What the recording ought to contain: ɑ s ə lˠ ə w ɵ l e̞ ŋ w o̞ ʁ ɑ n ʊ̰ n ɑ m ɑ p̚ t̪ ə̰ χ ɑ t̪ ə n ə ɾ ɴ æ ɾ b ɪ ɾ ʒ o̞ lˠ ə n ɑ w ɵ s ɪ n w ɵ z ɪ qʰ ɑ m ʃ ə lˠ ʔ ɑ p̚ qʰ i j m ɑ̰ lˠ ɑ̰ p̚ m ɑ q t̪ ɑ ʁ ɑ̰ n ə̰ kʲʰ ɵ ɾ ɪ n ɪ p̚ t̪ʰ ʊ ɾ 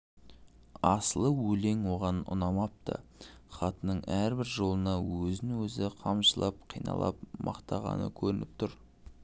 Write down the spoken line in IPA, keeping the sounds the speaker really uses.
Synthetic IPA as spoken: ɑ s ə lˠ ə w ɵ l e̞ ŋ w o̞ ʁ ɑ n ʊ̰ n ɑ m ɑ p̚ t̪ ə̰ χ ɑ t̪ ə n ə ɴ æ ɾ b ɪ ɾ ʒ o̞ lˠ ə n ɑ w ɵ z ɪ n w ɵ z ɪ qʰ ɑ m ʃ ə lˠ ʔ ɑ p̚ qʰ i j n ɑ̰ lˠ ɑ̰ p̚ m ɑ q t̪ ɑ ʁ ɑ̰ n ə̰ kʲʰ ɵ ɾ ɪ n ɪ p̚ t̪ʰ ʊ ɾ

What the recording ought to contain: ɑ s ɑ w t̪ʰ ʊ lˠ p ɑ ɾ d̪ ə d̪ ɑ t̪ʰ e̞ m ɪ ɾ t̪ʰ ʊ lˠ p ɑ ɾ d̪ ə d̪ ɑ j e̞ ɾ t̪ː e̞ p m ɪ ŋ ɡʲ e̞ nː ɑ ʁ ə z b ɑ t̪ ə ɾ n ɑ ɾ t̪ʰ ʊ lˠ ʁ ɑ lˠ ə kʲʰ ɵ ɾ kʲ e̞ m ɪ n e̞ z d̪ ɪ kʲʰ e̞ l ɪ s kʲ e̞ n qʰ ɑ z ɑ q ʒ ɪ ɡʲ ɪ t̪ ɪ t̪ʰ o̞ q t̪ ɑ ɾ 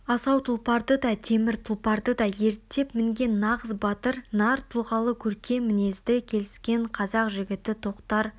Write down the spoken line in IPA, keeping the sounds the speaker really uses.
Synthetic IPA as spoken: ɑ s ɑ w t̪ʰ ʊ lˠ p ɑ ɾ d̪ ə d̪ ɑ t̪ʰ e̞ m ɪ ɾ t̪ʰ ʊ lˠ p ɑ ɾ d̪ ə d̪ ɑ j e̞ ɾ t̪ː e̞ p m ɪ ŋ ɡʲ e̞ nː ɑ ʁ ə z b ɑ t̪ ə ɾ n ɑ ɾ t̪ʰ ʊ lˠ ʁ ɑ lˠ ə kʲʰ ɵ ɾ kʲ e̞ m ɪ n e̞ z d̪ ɪ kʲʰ e̞ l ɪ s kʲ e̞ ɴ qʰ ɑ z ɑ q ʒ ɪ ɡʲ ɪ t̪ ɪ t̪ʰ o̞ q t̪ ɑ ɾ

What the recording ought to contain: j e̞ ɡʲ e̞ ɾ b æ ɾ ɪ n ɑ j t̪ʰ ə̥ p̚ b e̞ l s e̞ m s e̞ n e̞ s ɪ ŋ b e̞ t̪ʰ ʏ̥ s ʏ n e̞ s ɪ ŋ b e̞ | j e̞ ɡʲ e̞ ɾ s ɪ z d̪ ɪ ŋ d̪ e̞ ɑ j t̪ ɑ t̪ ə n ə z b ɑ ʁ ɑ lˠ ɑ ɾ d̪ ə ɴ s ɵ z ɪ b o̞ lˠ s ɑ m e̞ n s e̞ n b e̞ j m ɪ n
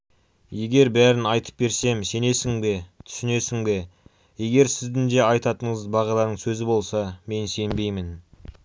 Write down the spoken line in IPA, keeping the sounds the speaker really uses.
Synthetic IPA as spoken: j e̞ ɡʲ e̞ ɾ b æ ɾ ɪ n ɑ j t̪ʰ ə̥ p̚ b e̞ ɾ s e̞ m s e̞ n e̞ s ɪ ŋ b e̞ t̪ʰ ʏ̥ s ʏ n e̞ s ɪ ŋ b e̞ | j e̞ ɡʲ e̞ ɾ s ɪ z d̪ ɪ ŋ d̪ e̞ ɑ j t̪ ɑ t̪ ə ɴ ə z b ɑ ʁ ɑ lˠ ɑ ɾ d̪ ə ɴ s ɵ z ɪ b o̞ lˠ s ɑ m e̞ n s e̞ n b e̞ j m ɪ n

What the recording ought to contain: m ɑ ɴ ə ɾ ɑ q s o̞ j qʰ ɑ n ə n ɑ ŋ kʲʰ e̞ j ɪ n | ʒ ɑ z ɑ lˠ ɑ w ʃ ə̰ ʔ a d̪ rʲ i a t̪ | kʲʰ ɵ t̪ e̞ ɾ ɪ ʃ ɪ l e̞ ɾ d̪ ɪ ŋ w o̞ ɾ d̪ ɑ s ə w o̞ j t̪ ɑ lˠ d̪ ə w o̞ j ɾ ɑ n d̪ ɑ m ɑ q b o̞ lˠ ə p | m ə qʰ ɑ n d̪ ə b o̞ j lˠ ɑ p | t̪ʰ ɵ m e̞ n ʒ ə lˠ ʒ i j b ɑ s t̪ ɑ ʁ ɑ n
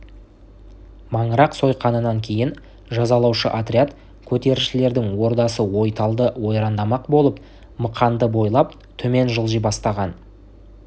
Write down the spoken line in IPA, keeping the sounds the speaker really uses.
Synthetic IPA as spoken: m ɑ ɴ ə ɾ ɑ q s o̞ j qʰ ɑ n ə n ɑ ŋ kʲʰ e̞ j ɪ n | ʒ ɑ z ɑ lˠ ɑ w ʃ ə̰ ʔ a t̪ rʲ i a t̪ | kʲʰ ɵ t̪ e̞ ɾ ɪ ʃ ɪ l e̞ ɾ d̪ ɪ ŋ w o̞ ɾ d̪ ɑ s ə w o̞ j t̪ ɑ lˠ d̪ ə w o̞ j ɾ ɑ n d̪ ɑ m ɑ q b o̞ lˠ ə p | m ə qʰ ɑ n d̪ ə b o̞ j lˠ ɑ p | t̪ʰ ɵ m e̞ n ʒ ə lˠ ʒ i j b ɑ s t̪ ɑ ʁ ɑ n

